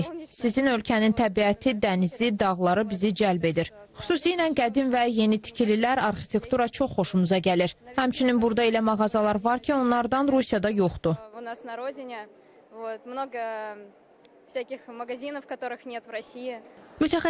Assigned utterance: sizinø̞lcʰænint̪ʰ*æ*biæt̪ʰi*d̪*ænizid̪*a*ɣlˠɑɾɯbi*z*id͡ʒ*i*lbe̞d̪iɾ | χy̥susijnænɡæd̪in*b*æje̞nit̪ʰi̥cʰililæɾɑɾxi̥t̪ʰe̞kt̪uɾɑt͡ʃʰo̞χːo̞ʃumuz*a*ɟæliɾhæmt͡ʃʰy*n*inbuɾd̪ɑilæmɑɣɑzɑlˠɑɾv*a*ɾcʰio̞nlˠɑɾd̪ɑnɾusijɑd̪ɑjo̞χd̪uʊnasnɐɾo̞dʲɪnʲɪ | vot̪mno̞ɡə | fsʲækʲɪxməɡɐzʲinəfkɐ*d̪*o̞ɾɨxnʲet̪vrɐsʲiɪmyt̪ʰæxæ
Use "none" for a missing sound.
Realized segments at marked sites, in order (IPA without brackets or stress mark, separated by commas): æ, d̪, ɑ, z, æ, v, ɑ, n, ɑ, t̪